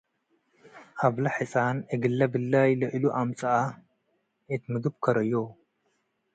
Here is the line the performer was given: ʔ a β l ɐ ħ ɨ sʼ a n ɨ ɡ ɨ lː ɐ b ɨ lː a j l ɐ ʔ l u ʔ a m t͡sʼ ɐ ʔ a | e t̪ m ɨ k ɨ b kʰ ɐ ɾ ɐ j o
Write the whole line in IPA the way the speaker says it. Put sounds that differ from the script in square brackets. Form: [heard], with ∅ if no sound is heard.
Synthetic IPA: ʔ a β l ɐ ħ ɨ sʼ a n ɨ ɡ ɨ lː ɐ b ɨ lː a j l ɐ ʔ l u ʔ a m t͡sʼ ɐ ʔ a | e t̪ m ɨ [ɡ] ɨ b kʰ ɐ ɾ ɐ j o